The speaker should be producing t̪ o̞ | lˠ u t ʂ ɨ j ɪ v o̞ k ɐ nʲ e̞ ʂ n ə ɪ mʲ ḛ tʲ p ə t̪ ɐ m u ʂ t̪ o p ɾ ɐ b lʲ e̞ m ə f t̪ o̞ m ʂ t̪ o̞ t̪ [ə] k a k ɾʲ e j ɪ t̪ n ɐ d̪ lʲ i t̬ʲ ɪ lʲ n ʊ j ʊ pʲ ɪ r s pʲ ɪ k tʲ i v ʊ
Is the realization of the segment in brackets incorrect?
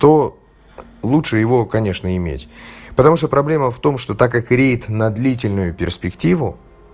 yes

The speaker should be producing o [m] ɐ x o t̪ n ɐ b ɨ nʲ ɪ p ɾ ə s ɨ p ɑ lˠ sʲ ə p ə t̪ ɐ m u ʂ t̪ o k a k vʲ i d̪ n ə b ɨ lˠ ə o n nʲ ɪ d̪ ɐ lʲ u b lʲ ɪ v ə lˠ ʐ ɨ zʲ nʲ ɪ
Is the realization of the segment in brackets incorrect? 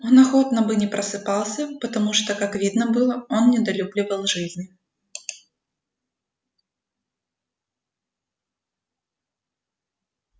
yes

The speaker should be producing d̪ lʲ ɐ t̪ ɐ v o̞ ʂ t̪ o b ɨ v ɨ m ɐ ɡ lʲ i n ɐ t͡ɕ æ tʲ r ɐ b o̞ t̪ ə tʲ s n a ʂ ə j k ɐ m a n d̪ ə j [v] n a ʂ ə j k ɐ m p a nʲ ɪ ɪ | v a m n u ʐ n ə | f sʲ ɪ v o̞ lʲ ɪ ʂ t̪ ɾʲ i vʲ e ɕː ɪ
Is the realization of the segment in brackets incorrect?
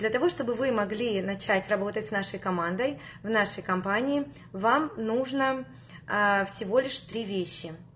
no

